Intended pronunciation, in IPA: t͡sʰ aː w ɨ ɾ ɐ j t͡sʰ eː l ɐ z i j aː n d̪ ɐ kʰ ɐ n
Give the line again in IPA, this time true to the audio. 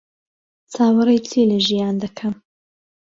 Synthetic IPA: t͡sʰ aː w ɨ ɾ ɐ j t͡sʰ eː l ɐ ʒ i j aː n d̪ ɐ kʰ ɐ m

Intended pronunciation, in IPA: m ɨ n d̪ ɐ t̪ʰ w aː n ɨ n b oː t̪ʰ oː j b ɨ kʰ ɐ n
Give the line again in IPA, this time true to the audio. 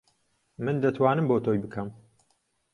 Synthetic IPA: m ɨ n d̪ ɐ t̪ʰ w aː n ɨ m b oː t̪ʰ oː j b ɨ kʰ ɐ m

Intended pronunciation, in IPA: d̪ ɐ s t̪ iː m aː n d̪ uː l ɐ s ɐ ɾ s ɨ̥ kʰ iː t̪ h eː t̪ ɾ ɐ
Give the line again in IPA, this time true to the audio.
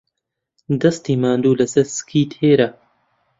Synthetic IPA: d̪ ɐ s t̪ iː m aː n d̪ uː l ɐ s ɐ ɾ s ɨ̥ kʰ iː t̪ h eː ɾ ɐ

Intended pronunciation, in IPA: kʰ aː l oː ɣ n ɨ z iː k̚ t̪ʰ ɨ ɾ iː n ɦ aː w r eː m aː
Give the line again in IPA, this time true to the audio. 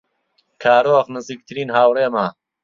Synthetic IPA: kʰ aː ɾ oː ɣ n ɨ z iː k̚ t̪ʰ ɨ ɾ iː n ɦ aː w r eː m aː

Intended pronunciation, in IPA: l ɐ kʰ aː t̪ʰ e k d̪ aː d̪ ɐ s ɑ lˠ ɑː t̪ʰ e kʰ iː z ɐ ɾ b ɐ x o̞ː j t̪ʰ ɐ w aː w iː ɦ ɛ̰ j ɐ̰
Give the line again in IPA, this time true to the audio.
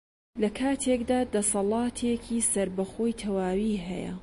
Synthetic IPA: l ɐ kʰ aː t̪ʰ e k d̪ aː d̪ ɐ s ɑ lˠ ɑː t̪ʰ e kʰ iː s ɐ ɾ b ɐ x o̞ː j t̪ʰ ɐ w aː w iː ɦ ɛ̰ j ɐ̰

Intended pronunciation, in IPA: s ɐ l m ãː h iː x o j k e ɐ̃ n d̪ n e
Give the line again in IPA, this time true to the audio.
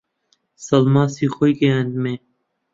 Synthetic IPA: s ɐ l m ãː s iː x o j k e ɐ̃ n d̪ m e

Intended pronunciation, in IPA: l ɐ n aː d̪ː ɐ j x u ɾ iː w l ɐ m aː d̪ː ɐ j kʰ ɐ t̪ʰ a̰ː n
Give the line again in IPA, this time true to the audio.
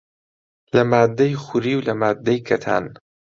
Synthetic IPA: l ɐ m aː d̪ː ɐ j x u ɾ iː w l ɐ m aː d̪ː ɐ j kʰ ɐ t̪ʰ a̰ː n

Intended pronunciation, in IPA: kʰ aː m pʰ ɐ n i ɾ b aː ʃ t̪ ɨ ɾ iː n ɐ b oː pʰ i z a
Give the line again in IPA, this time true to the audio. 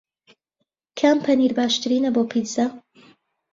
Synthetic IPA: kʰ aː m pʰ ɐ n i ɾ b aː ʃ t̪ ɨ ɾ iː n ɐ b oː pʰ i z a

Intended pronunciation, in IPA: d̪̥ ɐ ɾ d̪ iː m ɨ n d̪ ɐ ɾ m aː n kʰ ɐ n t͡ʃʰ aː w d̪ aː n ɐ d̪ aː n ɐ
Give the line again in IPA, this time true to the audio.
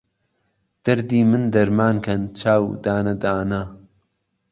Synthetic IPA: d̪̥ ɐ ɾ d̪ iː m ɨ n d̪ ɐ ɾ m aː n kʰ ɐ n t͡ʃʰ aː w d̪ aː n ɐ d̪ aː n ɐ

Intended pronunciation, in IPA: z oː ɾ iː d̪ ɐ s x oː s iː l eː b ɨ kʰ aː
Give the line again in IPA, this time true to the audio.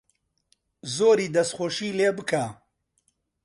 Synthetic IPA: z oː ɾ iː d̪ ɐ s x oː ʃ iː l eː b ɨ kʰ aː

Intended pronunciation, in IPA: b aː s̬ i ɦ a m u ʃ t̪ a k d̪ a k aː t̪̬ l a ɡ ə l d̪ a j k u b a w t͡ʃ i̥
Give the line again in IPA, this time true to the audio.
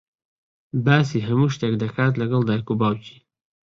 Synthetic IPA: b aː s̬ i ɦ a m u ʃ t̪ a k d̪ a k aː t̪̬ l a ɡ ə l d̪ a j k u b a w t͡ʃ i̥

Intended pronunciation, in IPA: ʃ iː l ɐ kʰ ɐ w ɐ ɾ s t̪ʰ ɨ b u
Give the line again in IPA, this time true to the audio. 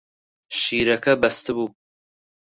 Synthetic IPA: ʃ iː ɾ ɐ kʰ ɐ b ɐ s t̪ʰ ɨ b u

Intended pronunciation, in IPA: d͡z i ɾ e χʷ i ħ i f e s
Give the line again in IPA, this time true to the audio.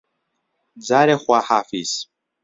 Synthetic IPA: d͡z a ɾ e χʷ a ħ a f i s

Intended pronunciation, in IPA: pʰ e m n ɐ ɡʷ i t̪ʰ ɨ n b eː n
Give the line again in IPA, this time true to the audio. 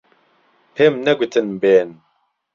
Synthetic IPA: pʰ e m n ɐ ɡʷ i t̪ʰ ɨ n b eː n

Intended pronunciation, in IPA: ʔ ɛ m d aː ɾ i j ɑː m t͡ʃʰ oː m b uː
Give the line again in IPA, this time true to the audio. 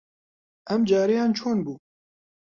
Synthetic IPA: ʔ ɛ m d͡ʒ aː ɾ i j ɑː n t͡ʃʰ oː n b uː

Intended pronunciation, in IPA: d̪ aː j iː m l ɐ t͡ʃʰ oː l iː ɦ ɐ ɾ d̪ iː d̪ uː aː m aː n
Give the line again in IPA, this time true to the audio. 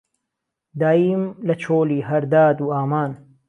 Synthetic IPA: d̪ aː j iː m l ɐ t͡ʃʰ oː l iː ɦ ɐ ɾ d̪ aː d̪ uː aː m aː n

